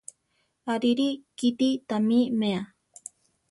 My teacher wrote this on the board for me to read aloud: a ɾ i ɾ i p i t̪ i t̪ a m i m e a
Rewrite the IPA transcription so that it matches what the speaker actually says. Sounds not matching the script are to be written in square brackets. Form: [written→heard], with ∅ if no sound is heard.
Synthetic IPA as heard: a ɾ i ɾ i [p→k] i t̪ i t̪ a m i m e a